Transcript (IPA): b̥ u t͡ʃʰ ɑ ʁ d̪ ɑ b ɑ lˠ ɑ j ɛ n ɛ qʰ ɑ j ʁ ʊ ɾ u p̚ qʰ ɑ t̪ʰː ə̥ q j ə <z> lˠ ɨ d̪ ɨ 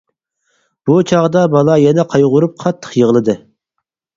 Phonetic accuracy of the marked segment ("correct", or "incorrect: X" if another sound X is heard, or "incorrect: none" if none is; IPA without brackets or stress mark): incorrect: ʁ